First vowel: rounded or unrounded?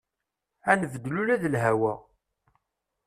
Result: unrounded